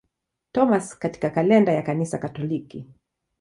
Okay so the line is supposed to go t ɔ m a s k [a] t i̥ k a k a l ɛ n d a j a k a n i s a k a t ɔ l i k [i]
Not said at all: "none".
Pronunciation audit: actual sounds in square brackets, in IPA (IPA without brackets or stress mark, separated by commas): a, i